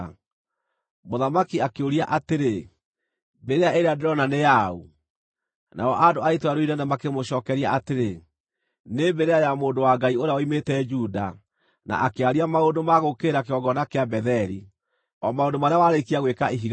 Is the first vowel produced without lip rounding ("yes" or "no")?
no